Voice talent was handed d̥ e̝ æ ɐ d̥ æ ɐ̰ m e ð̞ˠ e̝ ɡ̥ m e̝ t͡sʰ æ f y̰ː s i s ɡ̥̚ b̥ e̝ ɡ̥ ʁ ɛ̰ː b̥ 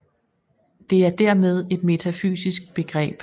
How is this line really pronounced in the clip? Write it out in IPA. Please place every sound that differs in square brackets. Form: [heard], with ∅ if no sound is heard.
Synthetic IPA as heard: d̥ e̝ æ ɐ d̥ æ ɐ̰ m e ð̞ˠ e̝ [d̥] m e̝ t͡sʰ æ f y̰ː s i s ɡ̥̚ b̥ e̝ ɡ̥ ʁ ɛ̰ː b̥